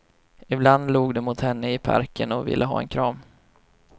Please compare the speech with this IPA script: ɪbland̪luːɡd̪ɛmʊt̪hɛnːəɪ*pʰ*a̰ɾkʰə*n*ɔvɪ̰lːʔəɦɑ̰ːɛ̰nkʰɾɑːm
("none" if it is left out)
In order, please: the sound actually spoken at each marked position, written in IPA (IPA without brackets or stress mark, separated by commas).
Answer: pʰ, n